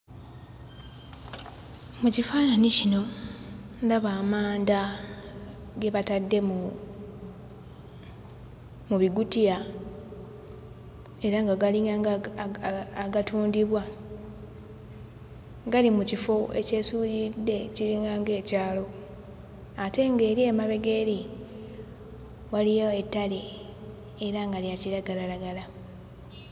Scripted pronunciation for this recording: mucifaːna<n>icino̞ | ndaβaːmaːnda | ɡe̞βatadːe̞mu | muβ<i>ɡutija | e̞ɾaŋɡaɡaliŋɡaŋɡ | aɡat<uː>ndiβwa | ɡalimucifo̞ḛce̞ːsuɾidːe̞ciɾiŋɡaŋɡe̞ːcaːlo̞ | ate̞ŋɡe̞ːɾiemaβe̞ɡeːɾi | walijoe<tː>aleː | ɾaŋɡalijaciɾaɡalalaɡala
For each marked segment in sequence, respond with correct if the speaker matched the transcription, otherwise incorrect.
correct, correct, correct, correct

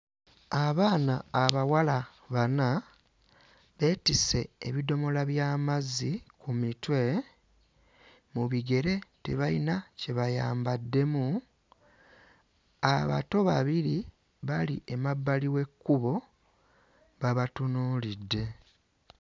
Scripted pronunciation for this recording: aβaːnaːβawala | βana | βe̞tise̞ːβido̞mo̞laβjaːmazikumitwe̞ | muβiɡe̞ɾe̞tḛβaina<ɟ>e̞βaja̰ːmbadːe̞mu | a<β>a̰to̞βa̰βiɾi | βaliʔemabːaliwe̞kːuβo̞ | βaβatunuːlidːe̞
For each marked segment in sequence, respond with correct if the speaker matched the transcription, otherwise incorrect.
incorrect, correct

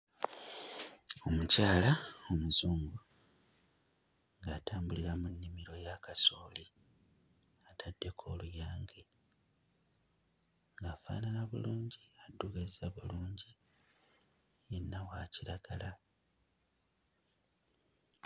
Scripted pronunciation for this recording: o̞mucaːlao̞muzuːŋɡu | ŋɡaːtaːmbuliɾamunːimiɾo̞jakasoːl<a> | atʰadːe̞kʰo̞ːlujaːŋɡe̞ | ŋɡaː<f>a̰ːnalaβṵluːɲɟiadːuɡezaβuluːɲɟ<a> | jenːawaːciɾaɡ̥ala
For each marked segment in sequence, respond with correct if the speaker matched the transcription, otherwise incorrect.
incorrect, correct, incorrect

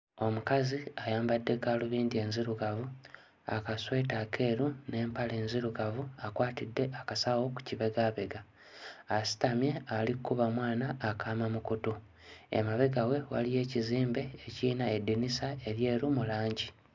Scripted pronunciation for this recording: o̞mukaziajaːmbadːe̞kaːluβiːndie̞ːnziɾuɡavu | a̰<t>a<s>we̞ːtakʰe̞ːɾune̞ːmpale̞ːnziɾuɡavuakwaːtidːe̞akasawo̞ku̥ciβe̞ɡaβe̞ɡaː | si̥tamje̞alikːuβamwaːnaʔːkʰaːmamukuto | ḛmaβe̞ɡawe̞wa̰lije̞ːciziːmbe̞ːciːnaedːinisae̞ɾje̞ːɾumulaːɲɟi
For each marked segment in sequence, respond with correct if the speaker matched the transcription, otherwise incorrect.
incorrect, correct

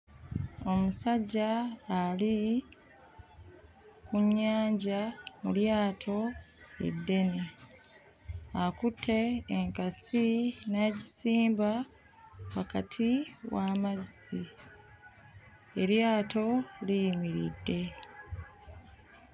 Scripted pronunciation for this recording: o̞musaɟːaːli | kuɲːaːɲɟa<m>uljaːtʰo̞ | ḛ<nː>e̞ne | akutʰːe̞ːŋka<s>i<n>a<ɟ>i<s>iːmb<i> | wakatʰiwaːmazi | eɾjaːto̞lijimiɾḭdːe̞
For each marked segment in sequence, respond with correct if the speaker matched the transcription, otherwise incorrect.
correct, incorrect, correct, correct, correct, correct, incorrect

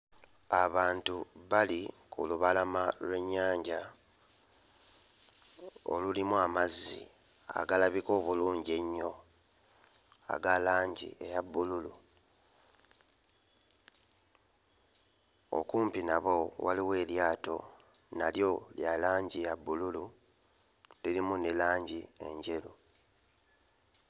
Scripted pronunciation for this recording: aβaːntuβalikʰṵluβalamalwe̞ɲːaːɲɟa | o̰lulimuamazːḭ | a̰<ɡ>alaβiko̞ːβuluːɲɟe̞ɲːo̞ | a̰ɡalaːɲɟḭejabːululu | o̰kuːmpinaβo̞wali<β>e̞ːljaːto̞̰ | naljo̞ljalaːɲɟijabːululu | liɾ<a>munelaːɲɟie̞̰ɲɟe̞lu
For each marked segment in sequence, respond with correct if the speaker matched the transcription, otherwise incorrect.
correct, incorrect, incorrect

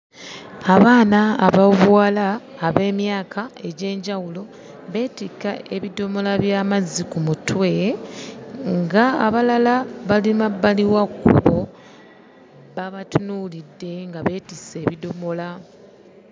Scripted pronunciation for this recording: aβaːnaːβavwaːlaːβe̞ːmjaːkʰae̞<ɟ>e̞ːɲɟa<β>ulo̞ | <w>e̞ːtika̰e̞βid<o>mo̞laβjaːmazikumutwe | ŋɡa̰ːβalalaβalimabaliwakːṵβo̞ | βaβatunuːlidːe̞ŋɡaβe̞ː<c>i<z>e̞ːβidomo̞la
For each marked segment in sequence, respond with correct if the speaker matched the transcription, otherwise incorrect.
correct, incorrect, incorrect, correct, incorrect, incorrect

